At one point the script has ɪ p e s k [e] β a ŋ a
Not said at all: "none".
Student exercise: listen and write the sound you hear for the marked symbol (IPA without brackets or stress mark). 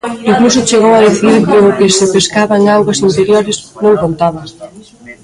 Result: a